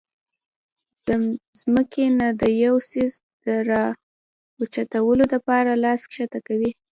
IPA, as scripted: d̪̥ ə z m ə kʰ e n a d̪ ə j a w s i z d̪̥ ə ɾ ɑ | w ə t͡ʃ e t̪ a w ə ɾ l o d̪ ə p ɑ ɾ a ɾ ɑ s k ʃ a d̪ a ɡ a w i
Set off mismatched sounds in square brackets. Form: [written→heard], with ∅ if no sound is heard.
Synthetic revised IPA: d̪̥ ə z m ə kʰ e n a d̪ ə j a w s i z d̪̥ ə ɾ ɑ | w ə t͡ʃ [e→a] t̪ a w ə [ɾ→∅] l o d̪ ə p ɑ ɾ a [ɾ→l] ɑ s k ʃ a [d̪→t̪] a [ɡ→k] a w i